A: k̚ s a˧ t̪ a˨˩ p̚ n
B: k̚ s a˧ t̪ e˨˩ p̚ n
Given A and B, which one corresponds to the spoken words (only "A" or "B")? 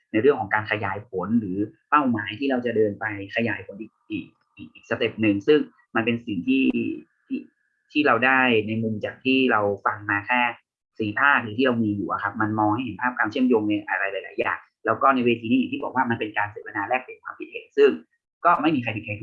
B